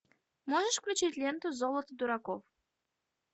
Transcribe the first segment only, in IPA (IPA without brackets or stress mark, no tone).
m